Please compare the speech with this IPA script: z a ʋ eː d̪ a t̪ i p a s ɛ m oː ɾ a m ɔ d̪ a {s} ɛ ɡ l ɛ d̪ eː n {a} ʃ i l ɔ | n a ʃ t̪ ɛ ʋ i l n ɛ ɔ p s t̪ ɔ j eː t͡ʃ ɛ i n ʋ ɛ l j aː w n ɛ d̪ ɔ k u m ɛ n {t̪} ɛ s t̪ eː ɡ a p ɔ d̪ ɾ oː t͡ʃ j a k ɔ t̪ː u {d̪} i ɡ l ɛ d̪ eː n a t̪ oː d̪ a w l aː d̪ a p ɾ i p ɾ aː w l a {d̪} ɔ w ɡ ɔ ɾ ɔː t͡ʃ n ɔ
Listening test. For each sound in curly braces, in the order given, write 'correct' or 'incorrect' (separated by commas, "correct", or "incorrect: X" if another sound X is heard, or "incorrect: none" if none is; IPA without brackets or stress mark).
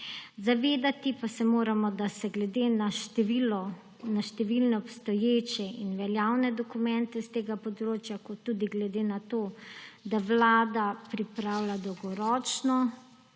correct, correct, correct, correct, correct